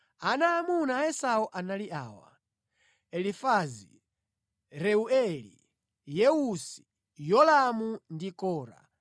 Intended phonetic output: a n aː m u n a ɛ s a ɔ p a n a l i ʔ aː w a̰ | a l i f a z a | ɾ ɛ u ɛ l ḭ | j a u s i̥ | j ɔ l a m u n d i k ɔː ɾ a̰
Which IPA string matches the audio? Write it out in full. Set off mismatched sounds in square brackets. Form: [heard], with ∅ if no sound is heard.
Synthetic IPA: a n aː m u n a ɛ s a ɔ [ʔ] a n a l i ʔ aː w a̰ | [ɛ] l i f a z [i] | ɾ ɛ u ɛ l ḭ | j [ɛ] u s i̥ | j ɔ l a m u n d i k ɔː ɾ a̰